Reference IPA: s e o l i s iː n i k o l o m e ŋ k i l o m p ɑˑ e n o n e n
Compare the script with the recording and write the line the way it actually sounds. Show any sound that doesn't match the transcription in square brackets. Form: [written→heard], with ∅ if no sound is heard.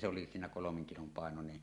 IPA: s e o l i s iː n [i→æ] k o l o m e ŋ k i l o m p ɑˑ e n o n e n